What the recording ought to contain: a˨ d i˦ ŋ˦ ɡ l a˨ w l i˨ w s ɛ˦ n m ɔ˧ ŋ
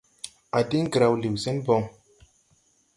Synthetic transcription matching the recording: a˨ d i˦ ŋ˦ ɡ ɾ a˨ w l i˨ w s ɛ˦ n b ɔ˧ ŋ

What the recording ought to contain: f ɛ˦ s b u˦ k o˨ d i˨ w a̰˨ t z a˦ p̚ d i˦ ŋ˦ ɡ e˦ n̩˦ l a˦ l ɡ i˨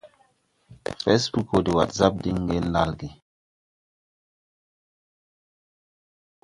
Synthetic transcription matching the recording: f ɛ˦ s b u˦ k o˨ d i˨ w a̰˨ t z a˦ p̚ d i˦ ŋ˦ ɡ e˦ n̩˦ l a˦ l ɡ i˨

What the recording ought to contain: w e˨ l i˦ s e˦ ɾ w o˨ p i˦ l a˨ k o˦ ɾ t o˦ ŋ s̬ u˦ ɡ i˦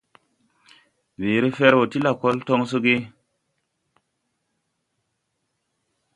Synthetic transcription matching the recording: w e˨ ɾ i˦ f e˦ ɾ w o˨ t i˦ l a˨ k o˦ l t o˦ ŋ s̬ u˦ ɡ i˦

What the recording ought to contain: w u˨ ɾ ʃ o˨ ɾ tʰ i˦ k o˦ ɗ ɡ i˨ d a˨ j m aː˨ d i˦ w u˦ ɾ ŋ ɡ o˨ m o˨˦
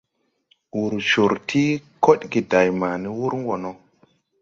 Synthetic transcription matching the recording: w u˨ ɾ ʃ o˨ ɾ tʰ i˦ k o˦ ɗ ɡ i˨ d a˨ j m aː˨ n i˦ w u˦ ɾ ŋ ɡ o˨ n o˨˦

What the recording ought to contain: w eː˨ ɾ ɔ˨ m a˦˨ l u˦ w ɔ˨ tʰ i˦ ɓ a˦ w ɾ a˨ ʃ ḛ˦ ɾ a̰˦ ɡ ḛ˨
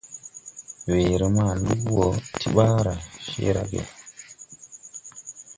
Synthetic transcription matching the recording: w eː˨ ɾ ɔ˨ m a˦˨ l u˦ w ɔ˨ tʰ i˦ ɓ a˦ ɾ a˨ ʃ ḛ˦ ɾ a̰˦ ɡ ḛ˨

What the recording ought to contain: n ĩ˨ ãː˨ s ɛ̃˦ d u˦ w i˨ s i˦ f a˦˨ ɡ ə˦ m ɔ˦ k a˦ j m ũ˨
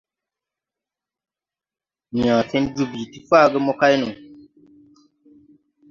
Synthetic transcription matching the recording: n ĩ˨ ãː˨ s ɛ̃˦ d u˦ b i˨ t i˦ f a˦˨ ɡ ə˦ m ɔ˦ k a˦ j n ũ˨

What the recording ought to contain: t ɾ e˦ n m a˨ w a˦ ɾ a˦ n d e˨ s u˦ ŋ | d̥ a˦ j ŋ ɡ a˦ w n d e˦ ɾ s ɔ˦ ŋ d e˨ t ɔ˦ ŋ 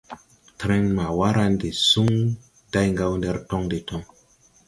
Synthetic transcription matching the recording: t ɾ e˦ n m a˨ w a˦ ɾ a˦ n d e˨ s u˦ ŋ | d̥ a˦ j ŋ ɡ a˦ w n d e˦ ɾ t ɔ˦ ŋ d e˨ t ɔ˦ ŋ

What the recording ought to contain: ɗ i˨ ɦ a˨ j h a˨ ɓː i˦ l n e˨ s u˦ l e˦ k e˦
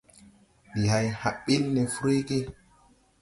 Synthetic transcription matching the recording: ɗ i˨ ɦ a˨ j h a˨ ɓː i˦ l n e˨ f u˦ ɾ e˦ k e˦

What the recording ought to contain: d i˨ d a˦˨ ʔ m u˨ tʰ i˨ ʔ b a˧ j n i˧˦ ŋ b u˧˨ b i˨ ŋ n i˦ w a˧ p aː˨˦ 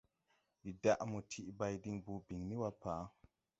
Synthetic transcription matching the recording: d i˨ d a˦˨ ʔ m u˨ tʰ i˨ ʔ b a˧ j d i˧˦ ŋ b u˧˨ b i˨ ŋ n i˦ w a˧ p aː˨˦

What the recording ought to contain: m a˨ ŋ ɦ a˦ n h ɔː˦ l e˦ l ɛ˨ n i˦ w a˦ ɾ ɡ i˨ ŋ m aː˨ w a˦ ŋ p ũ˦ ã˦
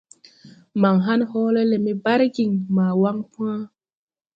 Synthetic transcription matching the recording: m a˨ ŋ ɦ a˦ n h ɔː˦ l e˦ l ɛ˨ m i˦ b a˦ ɾ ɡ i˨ ŋ m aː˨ w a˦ ŋ p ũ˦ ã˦

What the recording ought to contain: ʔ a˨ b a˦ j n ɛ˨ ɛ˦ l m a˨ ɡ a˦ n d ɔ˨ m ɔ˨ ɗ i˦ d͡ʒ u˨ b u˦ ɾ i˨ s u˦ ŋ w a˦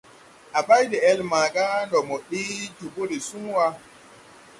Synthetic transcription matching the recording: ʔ a˨ b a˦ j d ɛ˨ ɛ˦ l m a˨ ɡ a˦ n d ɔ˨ m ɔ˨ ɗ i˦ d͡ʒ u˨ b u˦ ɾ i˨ s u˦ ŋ w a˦

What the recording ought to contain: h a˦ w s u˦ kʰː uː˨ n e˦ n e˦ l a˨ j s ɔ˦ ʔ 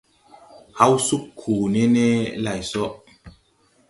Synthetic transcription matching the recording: h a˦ w s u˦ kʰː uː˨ n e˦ n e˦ l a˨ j s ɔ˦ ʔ

